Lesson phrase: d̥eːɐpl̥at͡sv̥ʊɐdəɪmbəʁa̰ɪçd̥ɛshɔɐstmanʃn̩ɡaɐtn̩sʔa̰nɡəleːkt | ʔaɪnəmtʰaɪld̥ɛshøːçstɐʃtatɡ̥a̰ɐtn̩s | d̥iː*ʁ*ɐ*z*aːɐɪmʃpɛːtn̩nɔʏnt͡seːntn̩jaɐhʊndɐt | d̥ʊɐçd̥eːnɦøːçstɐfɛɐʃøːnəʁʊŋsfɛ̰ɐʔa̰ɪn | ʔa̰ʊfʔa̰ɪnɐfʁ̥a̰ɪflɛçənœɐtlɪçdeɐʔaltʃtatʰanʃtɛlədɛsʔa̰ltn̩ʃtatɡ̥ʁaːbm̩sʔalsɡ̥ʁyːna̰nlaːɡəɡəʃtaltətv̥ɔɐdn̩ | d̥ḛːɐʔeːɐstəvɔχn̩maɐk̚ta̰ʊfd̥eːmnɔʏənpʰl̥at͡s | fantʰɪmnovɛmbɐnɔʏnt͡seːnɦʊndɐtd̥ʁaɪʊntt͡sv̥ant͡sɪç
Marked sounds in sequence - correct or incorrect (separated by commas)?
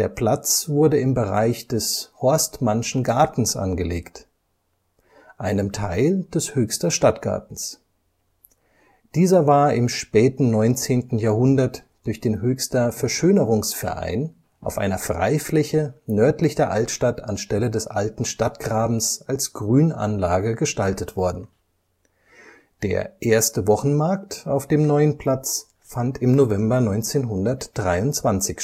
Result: incorrect, incorrect